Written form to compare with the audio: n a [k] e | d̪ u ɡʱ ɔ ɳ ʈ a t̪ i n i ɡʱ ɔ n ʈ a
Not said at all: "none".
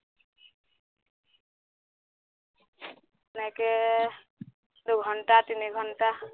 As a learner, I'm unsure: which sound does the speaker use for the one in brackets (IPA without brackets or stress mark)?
k